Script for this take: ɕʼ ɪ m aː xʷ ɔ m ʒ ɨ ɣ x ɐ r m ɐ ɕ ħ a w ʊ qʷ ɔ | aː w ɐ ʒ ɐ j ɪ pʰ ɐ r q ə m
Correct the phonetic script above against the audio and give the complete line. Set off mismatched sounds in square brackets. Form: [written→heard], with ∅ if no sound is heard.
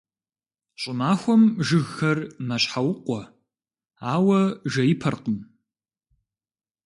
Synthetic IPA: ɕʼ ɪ m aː xʷ ɔ m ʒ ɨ ɣ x ɐ r m ɐ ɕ ħ a w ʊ qʷ ɔ | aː w ɐ ʒ ɐ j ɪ pʰ ɐ r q ə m